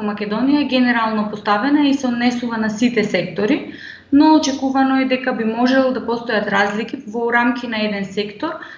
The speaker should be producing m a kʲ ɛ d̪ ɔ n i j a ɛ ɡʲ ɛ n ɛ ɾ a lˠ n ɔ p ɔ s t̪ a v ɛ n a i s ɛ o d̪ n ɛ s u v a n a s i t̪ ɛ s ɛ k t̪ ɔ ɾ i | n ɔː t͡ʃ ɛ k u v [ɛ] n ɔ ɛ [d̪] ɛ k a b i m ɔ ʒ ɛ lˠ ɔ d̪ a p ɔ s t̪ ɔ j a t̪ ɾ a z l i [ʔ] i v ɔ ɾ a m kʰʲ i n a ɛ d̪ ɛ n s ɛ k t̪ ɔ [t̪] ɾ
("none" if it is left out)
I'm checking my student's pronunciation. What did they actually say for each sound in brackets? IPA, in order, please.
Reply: a, d̪, k, none

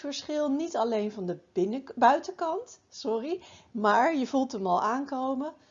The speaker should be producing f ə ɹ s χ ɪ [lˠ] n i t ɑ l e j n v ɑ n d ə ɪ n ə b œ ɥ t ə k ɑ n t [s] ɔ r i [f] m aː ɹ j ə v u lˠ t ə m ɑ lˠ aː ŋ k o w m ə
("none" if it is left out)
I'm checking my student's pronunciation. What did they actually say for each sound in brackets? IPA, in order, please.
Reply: lˠ, s, none

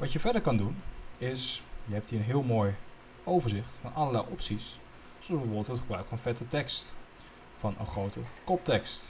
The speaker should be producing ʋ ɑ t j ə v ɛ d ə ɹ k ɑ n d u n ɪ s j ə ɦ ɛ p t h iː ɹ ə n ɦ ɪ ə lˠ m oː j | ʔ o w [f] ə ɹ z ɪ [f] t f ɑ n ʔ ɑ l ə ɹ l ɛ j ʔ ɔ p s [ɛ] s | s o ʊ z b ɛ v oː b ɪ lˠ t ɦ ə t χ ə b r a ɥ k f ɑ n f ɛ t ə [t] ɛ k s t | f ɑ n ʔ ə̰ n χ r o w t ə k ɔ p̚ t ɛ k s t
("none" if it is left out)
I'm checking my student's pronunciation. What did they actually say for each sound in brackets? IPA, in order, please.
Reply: v, χ, i, t

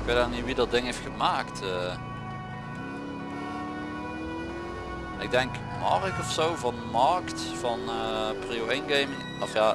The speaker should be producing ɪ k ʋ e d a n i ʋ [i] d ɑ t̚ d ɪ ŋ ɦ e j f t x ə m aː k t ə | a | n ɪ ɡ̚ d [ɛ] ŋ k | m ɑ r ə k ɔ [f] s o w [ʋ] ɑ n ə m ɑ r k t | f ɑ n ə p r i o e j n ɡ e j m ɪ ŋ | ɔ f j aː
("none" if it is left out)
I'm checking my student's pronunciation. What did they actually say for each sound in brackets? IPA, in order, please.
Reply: i, ɛ, f, v

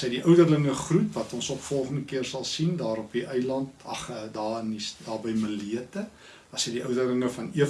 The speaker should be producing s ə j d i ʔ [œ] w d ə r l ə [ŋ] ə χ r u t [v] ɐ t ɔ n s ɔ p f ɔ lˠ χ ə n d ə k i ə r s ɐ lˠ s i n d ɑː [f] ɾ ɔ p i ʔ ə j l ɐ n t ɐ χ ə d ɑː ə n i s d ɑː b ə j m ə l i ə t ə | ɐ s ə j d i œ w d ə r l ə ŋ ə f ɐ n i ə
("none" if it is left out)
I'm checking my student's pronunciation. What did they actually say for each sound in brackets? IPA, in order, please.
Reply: œ, ŋ, v, none

